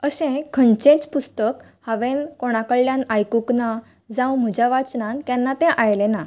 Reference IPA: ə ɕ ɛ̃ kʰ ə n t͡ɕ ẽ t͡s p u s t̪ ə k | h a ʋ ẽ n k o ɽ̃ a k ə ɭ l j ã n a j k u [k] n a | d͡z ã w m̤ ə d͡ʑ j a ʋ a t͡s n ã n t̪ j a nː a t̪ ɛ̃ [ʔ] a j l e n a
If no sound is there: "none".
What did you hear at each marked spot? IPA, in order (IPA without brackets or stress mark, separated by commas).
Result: k, ʔ